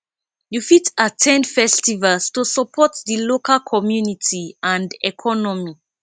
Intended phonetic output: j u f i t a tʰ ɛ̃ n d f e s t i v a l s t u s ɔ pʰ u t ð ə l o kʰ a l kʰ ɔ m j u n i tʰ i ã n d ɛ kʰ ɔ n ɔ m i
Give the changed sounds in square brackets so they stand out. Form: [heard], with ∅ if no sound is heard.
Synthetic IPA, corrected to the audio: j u f i t a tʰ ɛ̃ n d f [ɛ] s t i v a l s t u s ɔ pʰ [ɔ] t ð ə l o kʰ a l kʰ ɔ m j u n i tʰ i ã n d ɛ kʰ ɔ n ɔ m i